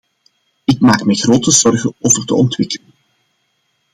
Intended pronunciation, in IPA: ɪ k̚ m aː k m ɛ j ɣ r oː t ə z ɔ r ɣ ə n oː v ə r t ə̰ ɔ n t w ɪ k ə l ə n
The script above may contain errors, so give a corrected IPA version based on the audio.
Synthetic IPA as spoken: ɪ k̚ m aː k m ɛ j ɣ r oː t ə z ɔ r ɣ ə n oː v ə r t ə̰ ɔ n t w ɪ k ə l ə n